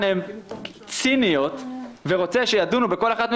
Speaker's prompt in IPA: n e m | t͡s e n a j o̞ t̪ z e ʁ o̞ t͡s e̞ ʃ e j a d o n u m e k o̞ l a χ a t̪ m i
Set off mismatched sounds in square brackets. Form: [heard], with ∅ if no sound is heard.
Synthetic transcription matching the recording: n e m | t͡s [i] n [i] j o̞ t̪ [v] e ʁ o̞ t͡s e̞ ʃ e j a d [u] n u [b] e k o̞ l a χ a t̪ m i